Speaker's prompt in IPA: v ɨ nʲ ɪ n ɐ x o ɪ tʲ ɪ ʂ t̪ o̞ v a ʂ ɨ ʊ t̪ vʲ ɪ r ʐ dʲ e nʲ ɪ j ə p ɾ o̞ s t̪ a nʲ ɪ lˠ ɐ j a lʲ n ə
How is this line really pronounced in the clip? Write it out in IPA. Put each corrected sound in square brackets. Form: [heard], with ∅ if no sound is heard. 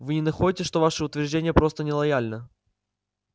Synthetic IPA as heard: v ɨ nʲ ɪ n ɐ x o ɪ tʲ ɪ ʂ t̪ o̞ v a ʂ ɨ ʊ t̪ vʲ ɪ r ʐ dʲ e nʲ ɪ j ə p ɾ o̞ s t̪ [ə] nʲ ɪ lˠ ɐ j a lʲ n ə